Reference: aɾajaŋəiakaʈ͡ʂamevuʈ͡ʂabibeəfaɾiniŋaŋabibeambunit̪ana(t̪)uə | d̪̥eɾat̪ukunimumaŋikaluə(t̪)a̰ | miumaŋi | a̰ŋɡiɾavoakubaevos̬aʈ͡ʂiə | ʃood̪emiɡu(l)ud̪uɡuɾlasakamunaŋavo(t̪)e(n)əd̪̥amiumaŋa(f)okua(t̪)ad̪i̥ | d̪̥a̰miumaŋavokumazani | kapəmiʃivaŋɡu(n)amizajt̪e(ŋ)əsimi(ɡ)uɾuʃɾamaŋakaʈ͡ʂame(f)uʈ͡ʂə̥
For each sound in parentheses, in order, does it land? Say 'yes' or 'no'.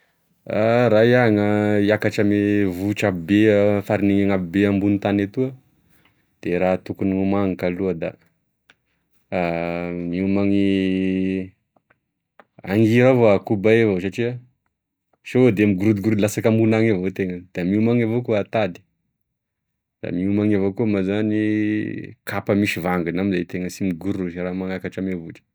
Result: yes, no, no, yes, no, no, yes, yes, yes, yes, no

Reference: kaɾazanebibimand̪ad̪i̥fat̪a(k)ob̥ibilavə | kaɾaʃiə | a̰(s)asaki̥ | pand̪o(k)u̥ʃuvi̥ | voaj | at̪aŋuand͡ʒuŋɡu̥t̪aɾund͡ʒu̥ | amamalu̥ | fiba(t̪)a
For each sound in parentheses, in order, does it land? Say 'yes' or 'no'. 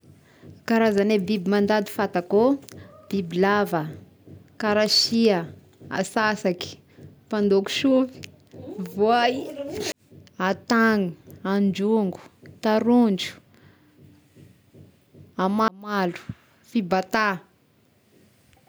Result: yes, yes, yes, yes

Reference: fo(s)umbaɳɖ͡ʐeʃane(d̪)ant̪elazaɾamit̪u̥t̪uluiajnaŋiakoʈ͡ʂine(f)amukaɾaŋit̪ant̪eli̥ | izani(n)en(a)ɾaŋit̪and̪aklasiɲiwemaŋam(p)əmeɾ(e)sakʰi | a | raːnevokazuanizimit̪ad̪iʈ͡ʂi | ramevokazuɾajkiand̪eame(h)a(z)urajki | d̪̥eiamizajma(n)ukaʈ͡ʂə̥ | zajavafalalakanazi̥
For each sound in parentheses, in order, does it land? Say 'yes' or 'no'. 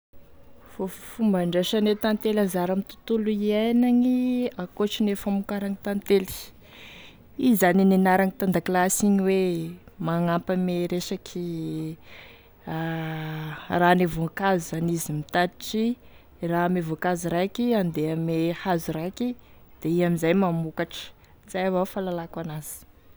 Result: no, no, yes, yes, yes, yes, yes, yes, yes, no

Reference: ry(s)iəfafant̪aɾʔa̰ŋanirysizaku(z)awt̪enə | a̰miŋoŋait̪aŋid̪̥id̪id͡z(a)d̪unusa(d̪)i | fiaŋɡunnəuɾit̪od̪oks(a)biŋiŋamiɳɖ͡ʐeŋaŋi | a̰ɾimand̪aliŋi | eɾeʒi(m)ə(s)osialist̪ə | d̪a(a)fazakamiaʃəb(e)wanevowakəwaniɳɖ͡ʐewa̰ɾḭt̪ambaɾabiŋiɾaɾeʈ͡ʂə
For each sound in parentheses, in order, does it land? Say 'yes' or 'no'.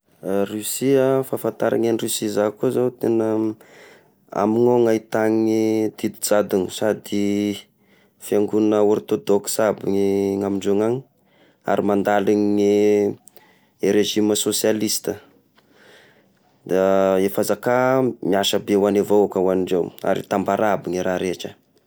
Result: yes, yes, yes, yes, yes, yes, yes, no, yes

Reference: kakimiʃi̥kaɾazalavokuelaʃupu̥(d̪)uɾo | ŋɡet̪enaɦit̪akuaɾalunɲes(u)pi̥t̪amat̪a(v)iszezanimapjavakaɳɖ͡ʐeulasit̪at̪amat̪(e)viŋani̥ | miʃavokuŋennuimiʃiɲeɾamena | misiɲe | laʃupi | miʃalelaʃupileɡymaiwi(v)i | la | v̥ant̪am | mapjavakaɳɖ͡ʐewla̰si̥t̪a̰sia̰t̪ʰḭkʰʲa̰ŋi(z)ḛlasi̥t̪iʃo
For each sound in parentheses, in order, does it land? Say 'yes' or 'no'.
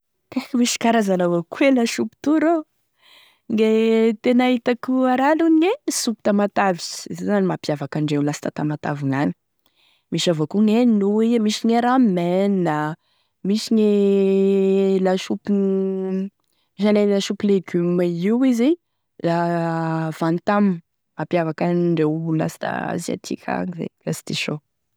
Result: no, yes, yes, no, no, yes

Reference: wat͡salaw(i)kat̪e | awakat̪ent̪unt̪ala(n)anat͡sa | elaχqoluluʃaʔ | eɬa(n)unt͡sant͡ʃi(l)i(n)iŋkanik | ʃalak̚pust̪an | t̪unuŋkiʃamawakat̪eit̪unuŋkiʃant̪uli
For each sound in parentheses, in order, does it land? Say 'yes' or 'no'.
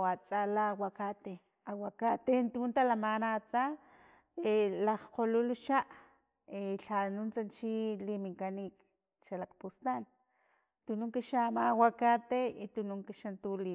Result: no, no, yes, yes, no

